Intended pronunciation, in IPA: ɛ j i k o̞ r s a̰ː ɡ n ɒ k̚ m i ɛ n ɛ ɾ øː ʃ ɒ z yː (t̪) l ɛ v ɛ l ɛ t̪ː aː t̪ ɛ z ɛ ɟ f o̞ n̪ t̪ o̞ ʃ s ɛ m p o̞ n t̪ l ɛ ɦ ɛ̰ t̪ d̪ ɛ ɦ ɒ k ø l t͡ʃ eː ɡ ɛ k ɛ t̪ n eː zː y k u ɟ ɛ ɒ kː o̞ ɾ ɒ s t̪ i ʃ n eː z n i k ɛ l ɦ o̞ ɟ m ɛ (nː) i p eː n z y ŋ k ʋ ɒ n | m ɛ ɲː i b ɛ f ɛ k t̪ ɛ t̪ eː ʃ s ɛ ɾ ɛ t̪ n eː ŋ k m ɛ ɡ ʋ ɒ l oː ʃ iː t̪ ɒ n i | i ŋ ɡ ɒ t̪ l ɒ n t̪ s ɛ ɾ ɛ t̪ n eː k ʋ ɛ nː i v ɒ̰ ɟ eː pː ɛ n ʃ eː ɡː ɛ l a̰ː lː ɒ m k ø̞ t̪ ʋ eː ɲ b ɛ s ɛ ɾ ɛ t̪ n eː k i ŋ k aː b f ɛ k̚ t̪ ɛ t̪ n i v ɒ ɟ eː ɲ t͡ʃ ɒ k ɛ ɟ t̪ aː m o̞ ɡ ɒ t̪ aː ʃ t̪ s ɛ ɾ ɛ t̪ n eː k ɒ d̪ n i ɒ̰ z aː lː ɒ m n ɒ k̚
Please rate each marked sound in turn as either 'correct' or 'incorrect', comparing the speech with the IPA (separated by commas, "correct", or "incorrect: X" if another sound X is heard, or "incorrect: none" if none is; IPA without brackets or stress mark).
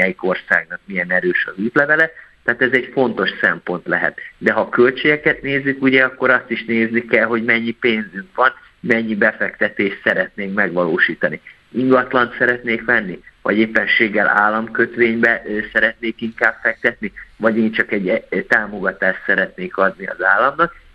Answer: correct, incorrect: ɲː